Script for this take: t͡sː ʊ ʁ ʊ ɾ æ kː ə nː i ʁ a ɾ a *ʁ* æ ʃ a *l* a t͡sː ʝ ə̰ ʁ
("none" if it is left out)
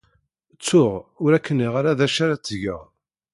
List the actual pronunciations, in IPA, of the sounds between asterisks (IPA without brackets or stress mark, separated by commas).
ð, ɾ